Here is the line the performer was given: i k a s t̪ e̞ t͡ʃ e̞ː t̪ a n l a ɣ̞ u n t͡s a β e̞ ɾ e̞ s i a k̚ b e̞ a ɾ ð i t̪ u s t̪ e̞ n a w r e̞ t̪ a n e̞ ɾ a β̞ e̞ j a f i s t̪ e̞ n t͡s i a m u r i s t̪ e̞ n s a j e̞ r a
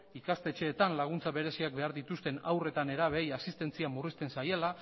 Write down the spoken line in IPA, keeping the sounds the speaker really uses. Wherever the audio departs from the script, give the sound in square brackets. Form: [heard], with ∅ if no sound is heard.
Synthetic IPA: i k a s t̪ e̞ t͡ʃ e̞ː t̪ a n l a ɣ̞ u n t͡s a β e̞ ɾ e̞ s i a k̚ b e̞ a ɾ ð i t̪ u s t̪ e̞ n a w r e̞ t̪ a n e̞ ɾ a β̞ e̞ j a [s] i s t̪ e̞ n t͡s i a m u r i s t̪ e̞ n s a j e̞ [l] a